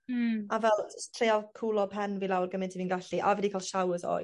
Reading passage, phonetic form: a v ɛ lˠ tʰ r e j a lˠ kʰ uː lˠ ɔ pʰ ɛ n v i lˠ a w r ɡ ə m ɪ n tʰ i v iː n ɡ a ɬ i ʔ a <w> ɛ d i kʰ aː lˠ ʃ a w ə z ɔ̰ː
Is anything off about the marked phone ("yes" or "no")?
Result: yes